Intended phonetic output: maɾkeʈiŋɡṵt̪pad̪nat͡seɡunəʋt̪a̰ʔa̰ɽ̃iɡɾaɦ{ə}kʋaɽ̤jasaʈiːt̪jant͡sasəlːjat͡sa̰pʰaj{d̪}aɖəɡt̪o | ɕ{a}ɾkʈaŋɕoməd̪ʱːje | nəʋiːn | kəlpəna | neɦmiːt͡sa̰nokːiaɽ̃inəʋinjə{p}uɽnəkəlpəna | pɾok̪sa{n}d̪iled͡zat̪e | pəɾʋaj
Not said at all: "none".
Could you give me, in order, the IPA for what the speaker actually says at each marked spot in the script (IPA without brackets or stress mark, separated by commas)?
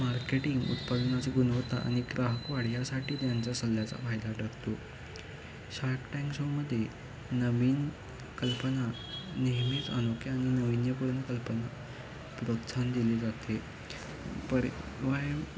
ə, d̪, a, p, n